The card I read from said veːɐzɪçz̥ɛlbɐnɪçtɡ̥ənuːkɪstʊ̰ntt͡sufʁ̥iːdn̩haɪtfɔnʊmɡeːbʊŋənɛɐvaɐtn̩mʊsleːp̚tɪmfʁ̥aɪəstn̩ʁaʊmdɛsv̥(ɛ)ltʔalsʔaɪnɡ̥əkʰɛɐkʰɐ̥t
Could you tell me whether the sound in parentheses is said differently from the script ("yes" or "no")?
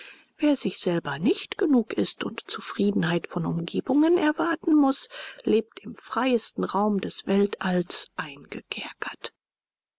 no